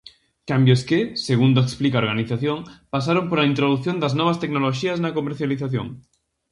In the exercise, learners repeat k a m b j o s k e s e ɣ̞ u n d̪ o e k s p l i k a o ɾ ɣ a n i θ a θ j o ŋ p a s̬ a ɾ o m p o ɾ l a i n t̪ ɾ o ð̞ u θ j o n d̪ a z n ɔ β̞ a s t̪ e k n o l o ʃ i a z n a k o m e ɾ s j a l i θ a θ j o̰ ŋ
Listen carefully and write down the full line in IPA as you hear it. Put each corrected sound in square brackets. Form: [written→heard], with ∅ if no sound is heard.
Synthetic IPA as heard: k a m b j o s k e s e ɣ̞ u n d̪ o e k s p l i k a o ɾ ɣ a n i θ a θ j o ŋ p a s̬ a ɾ o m p o ɾ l a i n t̪ ɾ o ð̞ u θ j o n d̪ a z n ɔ β̞ a s t̪ e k n o l o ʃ i a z n a k o m e ɾ [s→θ] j a l i θ a θ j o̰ ŋ

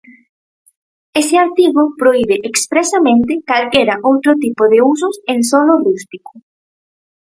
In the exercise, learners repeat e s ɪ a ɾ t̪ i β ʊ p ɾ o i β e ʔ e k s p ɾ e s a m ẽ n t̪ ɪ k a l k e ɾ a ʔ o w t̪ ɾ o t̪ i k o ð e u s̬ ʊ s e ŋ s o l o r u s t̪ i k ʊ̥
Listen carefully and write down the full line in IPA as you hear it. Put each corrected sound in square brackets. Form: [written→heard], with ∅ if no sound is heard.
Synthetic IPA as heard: e s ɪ a ɾ t̪ i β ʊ p ɾ o i β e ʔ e k s p ɾ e s a m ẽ n t̪ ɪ k a l k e ɾ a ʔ o w t̪ ɾ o t̪ i [k→p] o ð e u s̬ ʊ s e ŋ s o l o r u s t̪ i k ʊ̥

